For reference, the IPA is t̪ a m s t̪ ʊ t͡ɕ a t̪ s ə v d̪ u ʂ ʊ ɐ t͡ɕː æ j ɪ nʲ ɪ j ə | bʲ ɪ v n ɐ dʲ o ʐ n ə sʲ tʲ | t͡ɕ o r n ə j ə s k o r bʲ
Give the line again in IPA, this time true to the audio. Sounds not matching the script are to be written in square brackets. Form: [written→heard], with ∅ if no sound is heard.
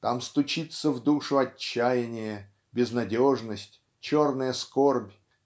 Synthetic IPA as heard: t̪ a m s t̪ ʊ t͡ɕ [a→i] t̪ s ə v d̪ u ʂ ʊ ɐ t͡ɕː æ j ɪ nʲ ɪ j ə | bʲ ɪ [v→z] n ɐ dʲ o ʐ n ə sʲ tʲ | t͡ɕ o r n ə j ə s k o r bʲ